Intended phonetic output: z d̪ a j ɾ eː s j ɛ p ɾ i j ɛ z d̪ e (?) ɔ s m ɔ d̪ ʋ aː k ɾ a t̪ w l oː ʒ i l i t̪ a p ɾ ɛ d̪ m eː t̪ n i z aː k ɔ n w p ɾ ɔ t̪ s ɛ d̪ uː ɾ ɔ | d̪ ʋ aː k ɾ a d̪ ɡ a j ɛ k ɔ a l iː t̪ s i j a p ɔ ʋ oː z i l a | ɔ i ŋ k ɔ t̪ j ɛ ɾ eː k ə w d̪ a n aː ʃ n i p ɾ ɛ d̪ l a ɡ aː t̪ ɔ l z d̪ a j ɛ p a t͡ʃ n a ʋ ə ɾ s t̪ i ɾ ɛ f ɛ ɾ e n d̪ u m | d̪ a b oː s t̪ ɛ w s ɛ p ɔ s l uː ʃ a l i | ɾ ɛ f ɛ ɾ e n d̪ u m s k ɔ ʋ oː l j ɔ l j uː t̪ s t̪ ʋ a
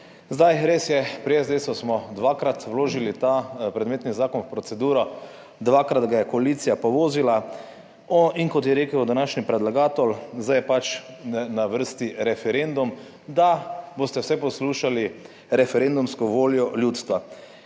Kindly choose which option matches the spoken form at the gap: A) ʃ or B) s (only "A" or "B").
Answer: B